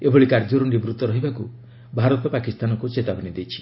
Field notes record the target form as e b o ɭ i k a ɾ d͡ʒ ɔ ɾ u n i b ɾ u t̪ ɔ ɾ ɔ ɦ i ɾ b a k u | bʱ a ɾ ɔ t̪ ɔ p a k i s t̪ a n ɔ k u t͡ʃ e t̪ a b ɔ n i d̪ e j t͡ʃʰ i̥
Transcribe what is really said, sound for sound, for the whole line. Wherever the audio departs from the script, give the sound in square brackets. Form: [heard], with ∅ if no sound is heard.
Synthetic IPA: e b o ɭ i k a ɾ d͡ʒ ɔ ɾ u n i b ɾ u t̪ ɔ ɾ ɔ ɦ i [∅] b a k u | bʱ a ɾ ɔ t̪ ɔ p a k i s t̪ a n ɔ k u t͡ʃ e t̪ a b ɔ n i d̪ e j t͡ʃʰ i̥